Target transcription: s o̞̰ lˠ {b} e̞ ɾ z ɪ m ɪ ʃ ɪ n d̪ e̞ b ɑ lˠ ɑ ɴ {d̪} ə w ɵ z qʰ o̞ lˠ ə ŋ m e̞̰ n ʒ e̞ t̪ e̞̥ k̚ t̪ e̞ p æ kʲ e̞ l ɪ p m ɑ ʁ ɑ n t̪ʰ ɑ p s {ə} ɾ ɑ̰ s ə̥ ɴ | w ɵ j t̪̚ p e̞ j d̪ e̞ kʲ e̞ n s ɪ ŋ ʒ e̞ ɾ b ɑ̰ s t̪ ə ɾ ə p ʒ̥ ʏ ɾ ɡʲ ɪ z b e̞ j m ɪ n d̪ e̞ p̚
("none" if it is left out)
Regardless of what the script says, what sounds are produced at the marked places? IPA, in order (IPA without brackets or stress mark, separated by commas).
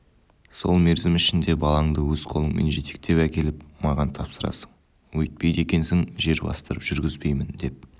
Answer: m, d̪, ə